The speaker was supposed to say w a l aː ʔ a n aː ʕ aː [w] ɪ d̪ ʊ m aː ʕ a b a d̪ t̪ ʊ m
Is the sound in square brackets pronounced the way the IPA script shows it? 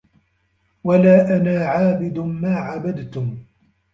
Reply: no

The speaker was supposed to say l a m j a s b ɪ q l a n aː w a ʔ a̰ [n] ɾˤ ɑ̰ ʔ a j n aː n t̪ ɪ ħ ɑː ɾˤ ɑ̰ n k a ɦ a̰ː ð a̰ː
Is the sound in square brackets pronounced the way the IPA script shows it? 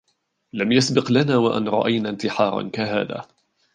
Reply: yes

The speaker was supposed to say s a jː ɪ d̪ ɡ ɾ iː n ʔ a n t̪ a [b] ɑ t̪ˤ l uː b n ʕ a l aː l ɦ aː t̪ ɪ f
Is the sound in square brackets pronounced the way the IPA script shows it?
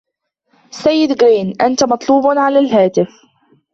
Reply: no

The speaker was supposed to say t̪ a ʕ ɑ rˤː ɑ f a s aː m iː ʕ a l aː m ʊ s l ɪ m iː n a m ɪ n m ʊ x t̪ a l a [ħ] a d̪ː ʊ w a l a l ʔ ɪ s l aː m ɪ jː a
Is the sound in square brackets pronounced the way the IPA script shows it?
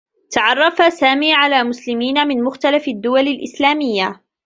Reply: no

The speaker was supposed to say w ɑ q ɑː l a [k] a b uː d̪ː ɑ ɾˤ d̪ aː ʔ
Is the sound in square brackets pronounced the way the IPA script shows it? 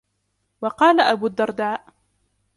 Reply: no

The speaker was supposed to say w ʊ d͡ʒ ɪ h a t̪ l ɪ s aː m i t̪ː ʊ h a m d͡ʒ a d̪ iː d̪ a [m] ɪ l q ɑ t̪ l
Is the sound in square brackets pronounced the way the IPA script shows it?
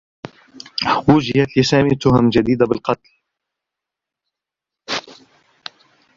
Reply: no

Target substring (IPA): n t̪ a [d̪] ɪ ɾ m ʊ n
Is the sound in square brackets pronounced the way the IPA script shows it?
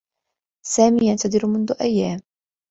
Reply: yes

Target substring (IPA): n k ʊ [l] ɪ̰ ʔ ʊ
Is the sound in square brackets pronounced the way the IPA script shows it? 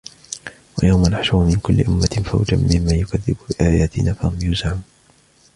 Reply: no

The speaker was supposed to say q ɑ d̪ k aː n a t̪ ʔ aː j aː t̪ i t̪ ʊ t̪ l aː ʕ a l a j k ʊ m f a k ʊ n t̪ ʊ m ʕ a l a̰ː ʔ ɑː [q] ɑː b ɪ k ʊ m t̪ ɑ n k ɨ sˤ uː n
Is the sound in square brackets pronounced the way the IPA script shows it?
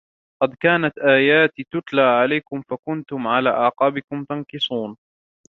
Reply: yes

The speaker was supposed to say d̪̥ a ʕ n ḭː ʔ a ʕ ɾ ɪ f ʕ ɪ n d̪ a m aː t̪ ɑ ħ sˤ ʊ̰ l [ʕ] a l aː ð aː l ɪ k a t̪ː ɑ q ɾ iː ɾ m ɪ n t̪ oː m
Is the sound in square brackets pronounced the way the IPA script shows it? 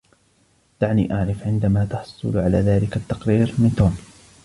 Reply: yes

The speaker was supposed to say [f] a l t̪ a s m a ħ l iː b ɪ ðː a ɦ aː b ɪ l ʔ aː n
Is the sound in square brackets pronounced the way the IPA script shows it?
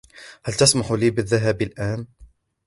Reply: no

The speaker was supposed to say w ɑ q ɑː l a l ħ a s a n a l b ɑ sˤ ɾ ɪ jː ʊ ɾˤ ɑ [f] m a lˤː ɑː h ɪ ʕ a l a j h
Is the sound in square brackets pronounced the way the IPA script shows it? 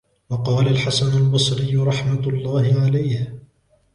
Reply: no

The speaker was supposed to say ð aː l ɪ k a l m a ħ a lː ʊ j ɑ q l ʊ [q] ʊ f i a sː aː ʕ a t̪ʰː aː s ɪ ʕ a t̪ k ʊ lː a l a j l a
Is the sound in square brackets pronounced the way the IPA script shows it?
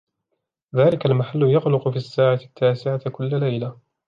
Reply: yes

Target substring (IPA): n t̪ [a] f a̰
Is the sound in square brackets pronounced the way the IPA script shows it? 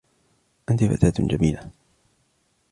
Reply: no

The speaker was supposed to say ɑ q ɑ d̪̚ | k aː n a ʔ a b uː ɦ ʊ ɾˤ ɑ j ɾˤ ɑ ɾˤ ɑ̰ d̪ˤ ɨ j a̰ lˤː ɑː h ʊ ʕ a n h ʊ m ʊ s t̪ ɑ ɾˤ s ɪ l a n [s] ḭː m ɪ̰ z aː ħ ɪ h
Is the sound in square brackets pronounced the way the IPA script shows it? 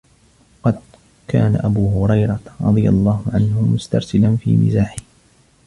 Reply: no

